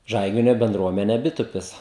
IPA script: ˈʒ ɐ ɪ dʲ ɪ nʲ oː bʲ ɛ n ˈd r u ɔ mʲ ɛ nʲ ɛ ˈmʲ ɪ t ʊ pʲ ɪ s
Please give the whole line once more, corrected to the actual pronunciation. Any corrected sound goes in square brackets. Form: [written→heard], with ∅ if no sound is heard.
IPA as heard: ˈʒ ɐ ɪ [dʲ→ɡʲ] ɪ nʲ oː bʲ ɛ n ˈd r u ɔ mʲ ɛ nʲ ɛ [ˈmʲ→ˈbʲ] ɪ t ʊ pʲ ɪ s